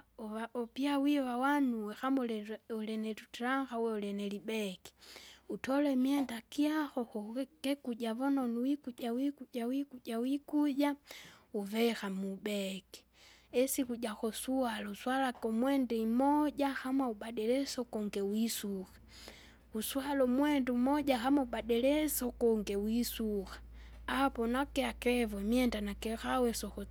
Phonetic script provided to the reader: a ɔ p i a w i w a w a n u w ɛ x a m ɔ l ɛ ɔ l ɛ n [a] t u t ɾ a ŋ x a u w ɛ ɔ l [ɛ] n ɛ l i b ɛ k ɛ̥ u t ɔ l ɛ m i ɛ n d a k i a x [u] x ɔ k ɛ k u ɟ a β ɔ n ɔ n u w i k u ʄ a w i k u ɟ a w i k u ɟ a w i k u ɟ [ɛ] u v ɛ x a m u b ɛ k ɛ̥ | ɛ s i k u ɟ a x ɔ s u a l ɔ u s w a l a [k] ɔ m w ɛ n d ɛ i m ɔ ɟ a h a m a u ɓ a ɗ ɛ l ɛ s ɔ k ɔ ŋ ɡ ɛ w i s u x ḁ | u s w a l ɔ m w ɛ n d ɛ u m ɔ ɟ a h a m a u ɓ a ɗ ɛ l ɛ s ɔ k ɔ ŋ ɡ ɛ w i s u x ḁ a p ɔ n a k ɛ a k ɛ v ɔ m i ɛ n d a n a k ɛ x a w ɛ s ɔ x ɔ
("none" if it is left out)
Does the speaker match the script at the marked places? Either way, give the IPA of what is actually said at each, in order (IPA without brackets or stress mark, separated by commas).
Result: ɛ, ɛ, ɔ, a, k